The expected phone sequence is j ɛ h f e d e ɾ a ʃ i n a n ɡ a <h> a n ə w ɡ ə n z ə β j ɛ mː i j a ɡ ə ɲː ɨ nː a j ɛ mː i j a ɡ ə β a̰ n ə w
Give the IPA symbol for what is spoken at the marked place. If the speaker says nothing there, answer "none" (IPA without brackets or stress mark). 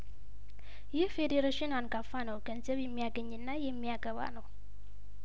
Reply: f